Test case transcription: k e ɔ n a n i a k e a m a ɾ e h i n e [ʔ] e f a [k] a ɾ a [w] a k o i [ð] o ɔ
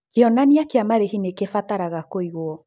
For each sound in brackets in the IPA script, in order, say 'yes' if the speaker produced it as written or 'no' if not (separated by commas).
no, no, no, no